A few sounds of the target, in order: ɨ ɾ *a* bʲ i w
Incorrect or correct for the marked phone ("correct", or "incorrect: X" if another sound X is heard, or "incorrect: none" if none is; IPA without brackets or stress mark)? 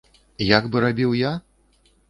correct